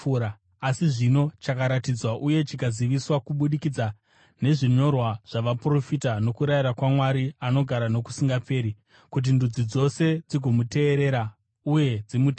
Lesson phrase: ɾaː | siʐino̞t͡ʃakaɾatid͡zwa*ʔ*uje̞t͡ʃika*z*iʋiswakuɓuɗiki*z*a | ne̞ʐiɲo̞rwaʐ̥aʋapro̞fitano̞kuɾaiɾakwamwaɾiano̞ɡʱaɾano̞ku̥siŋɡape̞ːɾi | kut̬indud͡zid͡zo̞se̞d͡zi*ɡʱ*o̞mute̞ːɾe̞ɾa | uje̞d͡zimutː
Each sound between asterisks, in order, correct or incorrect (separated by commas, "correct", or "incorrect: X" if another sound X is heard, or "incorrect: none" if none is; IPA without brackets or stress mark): correct, correct, incorrect: d͡z, correct